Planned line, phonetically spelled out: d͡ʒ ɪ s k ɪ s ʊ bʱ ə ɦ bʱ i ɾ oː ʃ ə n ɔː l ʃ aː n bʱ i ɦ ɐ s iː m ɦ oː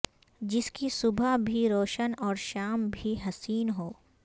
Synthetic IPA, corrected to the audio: d͡ʒ ɪ s k i s ʊ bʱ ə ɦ bʱ i ɾ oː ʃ ə n ɔː ɾ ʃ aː m bʱ i ɦ ɐ s iː n ɦ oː